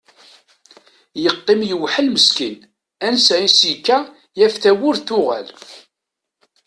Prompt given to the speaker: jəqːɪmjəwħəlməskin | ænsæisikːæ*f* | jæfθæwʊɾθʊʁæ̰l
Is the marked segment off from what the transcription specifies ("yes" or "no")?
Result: yes